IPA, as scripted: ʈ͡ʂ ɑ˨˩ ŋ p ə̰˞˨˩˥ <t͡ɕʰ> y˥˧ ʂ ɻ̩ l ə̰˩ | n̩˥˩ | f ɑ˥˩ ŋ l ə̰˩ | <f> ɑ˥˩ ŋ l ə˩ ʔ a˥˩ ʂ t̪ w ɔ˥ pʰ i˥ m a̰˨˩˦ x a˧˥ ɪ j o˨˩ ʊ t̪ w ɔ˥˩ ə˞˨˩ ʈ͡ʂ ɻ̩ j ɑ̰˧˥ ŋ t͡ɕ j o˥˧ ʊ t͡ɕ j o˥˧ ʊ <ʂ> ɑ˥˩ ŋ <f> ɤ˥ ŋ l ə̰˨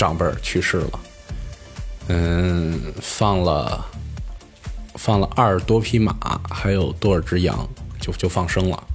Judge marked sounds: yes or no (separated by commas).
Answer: yes, yes, no, no